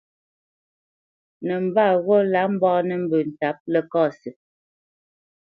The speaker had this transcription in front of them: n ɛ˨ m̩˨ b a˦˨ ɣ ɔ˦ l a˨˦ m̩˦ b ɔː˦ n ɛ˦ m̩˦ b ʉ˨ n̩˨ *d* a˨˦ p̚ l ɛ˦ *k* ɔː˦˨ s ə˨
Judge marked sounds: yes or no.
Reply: no, yes

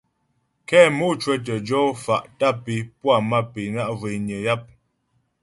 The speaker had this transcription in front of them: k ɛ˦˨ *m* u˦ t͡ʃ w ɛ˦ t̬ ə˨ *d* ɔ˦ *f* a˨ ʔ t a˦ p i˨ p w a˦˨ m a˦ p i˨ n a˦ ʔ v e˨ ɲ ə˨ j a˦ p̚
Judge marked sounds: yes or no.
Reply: yes, no, yes

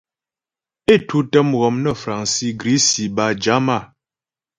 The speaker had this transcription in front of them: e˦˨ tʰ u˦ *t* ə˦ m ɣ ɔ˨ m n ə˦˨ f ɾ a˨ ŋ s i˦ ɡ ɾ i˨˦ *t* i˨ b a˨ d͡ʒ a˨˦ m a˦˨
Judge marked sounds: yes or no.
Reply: yes, no

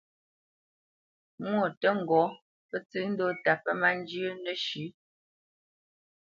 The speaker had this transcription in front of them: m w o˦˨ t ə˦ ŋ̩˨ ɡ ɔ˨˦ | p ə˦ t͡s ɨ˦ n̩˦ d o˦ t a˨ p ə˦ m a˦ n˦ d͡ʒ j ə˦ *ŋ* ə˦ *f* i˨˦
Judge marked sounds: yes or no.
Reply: no, no

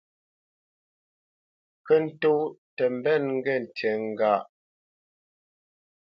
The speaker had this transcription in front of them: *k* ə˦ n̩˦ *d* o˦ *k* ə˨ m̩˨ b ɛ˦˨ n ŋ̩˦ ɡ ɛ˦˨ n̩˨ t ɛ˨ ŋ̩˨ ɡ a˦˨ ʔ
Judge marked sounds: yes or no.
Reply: yes, no, no

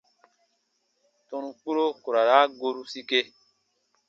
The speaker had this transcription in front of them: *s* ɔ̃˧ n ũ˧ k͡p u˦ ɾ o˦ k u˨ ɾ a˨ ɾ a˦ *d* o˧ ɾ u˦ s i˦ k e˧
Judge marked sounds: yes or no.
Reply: no, no

